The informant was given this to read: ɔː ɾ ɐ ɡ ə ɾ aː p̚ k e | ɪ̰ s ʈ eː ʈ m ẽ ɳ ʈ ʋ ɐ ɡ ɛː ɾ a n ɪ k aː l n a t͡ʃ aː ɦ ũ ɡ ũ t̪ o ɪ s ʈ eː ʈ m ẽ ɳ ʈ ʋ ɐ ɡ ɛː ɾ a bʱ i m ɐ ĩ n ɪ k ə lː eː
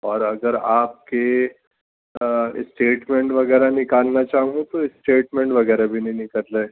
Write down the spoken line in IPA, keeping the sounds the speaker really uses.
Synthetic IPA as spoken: ɔː ɾ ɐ ɡ ə ɾ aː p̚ k e | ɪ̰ s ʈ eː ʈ m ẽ ɳ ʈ ʋ ɐ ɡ ɛː ɾ a n ɪ k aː l n a t͡ʃ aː ɦ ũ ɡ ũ t̪ o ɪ s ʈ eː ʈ m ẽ ɳ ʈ ʋ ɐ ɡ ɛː ɾ a bʱ i n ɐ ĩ n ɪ k ə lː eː

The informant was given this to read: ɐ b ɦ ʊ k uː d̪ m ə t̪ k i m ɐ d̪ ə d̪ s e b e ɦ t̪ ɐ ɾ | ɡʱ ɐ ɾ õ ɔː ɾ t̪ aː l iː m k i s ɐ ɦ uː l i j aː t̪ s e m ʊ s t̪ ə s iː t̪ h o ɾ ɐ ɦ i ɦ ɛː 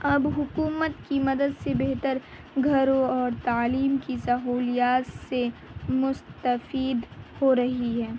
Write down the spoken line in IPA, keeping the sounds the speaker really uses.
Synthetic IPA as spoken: ɐ b ɦ ʊ k uː m ə t̪ k i m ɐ d̪ ə d̪ s e b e ɦ t̪ ə ɾ | ɡʱ ɐ ɾ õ ɔː ɾ t̪ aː l iː m k i s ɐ ɦ uː l i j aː t̪ s e m ʊ s t̪ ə f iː d̪ h o ɾ ɐ ɦ i ɦ ɛː

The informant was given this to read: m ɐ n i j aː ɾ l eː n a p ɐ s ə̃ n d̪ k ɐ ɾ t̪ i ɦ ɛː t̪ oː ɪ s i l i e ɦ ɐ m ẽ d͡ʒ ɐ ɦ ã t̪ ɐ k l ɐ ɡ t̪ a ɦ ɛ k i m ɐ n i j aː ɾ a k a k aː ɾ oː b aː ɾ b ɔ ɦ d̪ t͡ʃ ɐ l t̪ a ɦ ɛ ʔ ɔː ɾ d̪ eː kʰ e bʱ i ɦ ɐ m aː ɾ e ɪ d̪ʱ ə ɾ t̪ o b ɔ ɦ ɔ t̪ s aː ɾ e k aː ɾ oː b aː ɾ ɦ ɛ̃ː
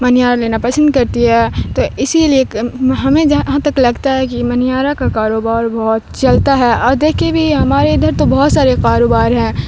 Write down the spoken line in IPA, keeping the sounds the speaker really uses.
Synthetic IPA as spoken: m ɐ n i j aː ɾ l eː n a p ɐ s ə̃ n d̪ k ɐ ɾ t̪ i ɦ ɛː t̪ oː ɪ s i l i e ɦ ɐ m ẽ d͡ʒ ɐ ɦ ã t̪ ɐ k l ɐ ɡ t̪ a ɦ ɛ k i m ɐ n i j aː ɾ a k a k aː ɾ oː b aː ɾ b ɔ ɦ t̪ t͡ʃ ɐ l t̪ a ɦ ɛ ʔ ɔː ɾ d̪ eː kʰ e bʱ i ɦ ɐ m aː ɾ e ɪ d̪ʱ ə ɾ t̪ o b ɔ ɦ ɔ t̪ s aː ɾ e k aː ɾ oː b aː ɾ ɦ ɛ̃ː

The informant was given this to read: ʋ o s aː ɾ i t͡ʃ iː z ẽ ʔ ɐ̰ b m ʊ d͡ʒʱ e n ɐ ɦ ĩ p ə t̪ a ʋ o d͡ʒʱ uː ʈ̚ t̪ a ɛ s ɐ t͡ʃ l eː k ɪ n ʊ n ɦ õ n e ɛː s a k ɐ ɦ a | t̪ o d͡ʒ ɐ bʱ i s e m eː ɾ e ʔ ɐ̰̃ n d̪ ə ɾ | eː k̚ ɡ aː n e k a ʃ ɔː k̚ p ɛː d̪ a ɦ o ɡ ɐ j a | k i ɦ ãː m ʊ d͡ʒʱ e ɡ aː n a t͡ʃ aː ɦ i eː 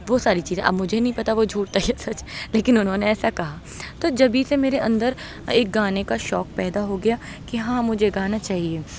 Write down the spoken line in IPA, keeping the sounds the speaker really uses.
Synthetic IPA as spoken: ʋ o s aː ɾ i t͡ʃ iː z ẽ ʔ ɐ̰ b m ʊ d͡ʒʱ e n ɐ ɦ ĩ p ɐ t̪ a ʋ o d͡ʒʱ uː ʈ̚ t̪ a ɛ s ɐ t͡ʃ l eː k ɪ n ʊ n ɦ õ n e ɛː s a k ɐ ɦ a | t̪ o d͡ʒ ɐ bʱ i s e m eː ɾ e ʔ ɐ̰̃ n d̪ ə ɾ | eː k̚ ɡ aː n e k a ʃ ɔː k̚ p ɛː d̪ a ɦ o ɡ ɐ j a | k i ɦ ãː m ʊ d͡ʒʱ e ɡ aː n a t͡ʃ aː ɦ i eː

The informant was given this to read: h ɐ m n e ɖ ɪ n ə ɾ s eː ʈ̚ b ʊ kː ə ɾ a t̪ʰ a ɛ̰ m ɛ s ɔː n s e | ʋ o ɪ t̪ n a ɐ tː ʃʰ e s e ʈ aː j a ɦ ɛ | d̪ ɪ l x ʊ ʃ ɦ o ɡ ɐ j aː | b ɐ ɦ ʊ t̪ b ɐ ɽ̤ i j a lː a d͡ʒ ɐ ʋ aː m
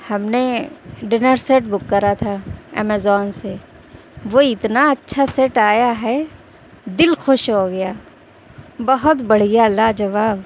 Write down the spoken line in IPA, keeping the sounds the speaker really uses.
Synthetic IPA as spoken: h ɐ m n e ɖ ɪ n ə ɾ s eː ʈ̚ b ʊ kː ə ɾ a t̪ʰ a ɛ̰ m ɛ z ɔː n s e | ʋ o ɪ t̪ n a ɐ tː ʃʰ a s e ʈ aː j a ɦ ɛ | d̪ ɪ l x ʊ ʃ ɦ o ɡ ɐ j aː | b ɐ ɦ ʊ t̪ b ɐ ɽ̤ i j a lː a d͡ʒ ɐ ʋ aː b

